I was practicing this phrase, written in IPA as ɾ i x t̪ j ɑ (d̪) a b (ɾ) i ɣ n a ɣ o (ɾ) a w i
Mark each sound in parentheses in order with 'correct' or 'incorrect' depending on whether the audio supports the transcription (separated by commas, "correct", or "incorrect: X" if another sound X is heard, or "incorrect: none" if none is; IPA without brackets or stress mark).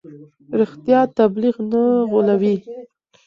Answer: incorrect: t̪, incorrect: l, incorrect: l